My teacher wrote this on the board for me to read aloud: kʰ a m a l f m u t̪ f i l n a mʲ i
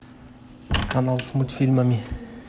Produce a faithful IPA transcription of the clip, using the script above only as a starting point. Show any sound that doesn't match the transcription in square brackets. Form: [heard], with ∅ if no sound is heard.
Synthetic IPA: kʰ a [n] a l [s] m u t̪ f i l [m] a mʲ i